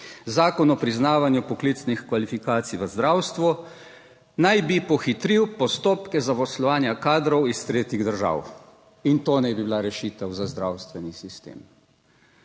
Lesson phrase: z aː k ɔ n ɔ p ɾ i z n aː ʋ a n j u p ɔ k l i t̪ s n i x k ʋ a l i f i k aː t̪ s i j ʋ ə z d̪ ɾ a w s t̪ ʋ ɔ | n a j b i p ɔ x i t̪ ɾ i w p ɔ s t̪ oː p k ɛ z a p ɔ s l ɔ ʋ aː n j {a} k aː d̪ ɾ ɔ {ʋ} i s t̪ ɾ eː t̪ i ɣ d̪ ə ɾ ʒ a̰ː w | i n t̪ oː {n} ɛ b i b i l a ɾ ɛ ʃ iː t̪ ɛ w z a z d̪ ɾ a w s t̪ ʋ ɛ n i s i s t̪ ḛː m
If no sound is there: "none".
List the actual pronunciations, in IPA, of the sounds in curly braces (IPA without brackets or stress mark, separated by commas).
a, w, n